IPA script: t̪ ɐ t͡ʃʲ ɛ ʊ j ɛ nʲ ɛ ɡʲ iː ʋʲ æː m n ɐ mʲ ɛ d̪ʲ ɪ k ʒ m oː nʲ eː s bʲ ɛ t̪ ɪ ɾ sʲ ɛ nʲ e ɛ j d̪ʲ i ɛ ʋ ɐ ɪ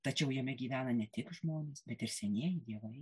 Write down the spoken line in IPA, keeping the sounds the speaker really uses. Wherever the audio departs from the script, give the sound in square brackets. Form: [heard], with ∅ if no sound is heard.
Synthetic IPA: t̪ ɐ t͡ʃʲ ɛ ʊ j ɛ [mʲ] ɛ ɡʲ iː ʋʲ æː [∅] n ɐ [nʲ] ɛ [t̪ʲ] ɪ k ʒ m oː nʲ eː s bʲ ɛ t̪ ɪ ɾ sʲ ɛ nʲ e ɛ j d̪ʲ i ɛ ʋ ɐ ɪ